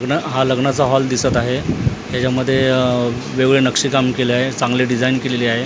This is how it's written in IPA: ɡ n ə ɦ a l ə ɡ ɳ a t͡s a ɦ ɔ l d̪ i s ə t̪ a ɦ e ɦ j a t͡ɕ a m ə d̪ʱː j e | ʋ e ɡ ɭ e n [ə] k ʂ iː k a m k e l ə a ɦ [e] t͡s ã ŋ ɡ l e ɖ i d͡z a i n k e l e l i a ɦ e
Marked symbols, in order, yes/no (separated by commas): yes, yes